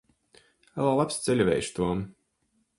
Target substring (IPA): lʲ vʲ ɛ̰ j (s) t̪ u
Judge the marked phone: incorrect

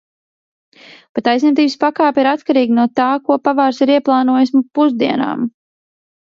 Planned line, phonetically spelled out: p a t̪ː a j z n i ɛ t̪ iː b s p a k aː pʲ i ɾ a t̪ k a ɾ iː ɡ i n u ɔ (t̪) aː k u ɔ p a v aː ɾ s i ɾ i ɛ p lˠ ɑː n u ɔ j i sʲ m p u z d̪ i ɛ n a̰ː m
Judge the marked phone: correct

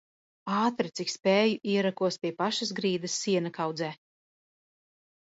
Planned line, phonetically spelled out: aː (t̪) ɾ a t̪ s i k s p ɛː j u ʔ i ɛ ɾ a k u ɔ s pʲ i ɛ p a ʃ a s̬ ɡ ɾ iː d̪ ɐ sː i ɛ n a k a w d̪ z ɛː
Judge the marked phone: correct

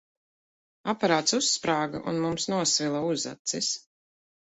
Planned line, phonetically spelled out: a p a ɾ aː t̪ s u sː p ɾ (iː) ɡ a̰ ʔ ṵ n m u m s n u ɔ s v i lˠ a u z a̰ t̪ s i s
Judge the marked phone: incorrect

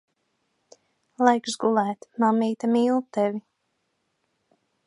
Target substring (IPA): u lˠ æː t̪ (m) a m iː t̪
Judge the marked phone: correct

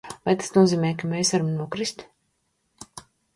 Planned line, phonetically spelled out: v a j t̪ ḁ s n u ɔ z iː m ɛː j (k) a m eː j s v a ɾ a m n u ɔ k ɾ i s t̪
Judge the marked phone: correct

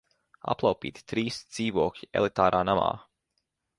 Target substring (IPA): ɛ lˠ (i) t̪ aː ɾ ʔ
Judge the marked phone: correct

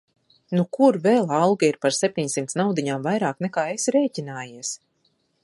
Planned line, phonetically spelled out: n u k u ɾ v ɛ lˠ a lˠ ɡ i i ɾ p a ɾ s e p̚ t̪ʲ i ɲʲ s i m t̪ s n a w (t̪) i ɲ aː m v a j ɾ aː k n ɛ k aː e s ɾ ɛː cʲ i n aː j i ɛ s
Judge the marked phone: incorrect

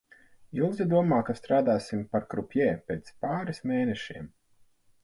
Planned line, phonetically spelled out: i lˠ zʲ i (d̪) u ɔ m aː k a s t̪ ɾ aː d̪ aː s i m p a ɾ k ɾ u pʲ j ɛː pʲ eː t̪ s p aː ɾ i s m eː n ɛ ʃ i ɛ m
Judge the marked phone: correct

